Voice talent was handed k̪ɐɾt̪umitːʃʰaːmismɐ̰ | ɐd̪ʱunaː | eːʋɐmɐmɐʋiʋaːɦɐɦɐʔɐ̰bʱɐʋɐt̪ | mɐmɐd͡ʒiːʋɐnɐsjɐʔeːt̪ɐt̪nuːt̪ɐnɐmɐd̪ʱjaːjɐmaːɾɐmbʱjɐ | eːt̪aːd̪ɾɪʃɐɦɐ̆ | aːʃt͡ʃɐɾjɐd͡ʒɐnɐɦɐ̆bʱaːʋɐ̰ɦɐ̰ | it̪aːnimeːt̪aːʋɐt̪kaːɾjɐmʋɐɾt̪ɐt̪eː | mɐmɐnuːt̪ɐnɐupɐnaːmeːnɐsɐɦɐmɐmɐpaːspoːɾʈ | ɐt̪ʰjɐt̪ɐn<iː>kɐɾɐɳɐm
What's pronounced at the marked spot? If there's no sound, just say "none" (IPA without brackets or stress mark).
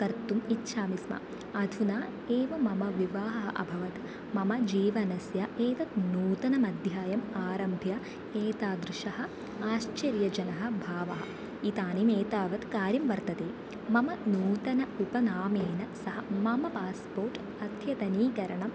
iː